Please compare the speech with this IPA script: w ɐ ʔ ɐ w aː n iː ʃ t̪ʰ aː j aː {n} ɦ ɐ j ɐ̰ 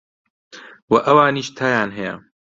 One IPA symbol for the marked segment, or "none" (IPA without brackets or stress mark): n